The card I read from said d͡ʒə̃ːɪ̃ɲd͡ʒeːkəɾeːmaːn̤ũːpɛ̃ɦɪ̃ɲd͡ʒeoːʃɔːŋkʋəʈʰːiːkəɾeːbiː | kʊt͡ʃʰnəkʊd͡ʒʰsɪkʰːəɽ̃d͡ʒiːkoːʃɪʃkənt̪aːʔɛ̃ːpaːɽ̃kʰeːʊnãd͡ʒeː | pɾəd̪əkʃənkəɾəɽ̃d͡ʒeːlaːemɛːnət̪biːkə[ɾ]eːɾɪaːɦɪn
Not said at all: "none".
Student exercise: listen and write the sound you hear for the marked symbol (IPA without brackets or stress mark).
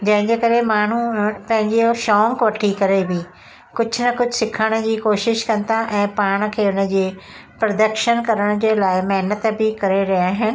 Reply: ɾ